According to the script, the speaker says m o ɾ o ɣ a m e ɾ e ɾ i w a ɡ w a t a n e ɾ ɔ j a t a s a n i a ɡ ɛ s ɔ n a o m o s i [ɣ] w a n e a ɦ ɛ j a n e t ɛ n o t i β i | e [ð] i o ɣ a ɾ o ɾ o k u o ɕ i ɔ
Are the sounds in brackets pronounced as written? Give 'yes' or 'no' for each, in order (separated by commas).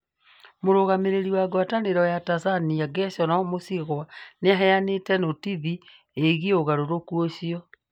yes, no